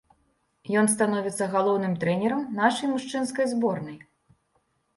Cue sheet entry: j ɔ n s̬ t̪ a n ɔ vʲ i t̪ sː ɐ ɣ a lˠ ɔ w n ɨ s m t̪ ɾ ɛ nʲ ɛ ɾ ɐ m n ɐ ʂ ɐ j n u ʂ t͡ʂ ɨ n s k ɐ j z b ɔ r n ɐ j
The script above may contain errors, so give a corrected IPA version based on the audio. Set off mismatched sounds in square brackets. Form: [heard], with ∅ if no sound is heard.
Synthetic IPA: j ɔ n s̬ t̪ a n ɔ vʲ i t̪ sː ɐ ɣ a lˠ ɔ w n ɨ [∅] m t̪ ɾ ɛ nʲ ɛ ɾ ɐ m n [a] ʂ ɐ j [m] u ʂ t͡ʂ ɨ n s k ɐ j z b ɔ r n ɐ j